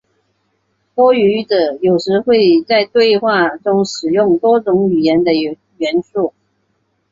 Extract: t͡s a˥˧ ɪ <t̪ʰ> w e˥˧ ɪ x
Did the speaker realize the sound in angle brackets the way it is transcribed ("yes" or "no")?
no